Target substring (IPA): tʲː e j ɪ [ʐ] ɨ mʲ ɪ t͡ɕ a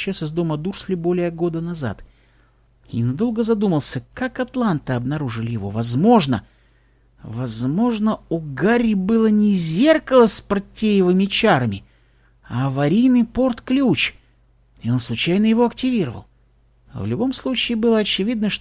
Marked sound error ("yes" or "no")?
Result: yes